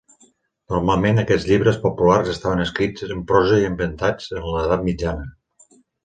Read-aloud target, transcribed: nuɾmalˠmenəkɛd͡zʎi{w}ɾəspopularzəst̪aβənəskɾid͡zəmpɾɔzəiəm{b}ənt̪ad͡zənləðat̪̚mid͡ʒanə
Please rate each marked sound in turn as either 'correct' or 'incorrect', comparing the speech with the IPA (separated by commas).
incorrect, correct